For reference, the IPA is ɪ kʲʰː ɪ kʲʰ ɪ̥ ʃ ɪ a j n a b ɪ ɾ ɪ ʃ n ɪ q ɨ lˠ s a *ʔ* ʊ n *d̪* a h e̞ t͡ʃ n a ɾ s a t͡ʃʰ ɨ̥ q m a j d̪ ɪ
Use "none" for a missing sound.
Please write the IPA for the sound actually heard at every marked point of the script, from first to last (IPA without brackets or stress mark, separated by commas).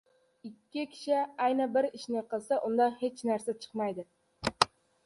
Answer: ʔ, d̪